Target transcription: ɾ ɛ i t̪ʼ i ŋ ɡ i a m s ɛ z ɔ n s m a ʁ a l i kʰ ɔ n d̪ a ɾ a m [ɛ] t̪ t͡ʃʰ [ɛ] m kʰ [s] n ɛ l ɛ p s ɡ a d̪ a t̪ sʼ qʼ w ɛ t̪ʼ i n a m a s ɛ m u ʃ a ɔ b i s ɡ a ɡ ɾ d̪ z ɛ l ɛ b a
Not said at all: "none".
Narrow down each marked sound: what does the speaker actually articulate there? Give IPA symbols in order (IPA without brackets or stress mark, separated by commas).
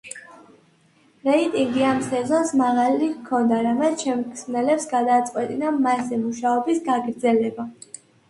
ɛ, ɛ, s